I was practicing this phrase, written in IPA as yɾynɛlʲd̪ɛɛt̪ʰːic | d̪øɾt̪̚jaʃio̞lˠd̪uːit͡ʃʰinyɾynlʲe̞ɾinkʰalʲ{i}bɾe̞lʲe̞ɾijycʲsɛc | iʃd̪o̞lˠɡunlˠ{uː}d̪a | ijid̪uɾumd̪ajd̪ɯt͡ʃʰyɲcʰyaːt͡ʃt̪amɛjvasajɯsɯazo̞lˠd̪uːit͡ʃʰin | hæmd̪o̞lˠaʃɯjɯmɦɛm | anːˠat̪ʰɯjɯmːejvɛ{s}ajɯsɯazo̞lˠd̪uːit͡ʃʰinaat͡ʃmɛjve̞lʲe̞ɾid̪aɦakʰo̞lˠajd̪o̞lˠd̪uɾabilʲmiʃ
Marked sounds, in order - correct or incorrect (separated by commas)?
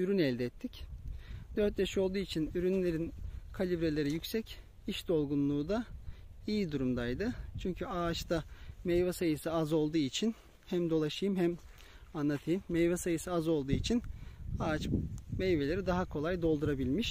correct, correct, correct